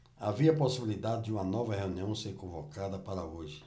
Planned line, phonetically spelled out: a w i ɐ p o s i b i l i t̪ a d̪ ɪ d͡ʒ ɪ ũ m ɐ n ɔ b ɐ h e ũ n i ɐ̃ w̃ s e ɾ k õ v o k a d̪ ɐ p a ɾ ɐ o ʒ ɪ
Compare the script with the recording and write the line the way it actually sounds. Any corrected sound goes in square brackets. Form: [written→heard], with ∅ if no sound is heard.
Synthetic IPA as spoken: a [w→v] i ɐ p o s i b i l i [t̪→d̪] a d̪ ɪ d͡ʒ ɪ ũ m ɐ n ɔ [b→v] ɐ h e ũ n i ɐ̃ w̃ s e ɾ k õ v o k a d̪ ɐ p a ɾ ɐ o ʒ ɪ